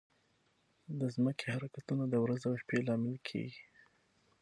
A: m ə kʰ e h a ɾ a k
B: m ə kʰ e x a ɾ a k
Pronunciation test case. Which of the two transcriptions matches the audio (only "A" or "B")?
A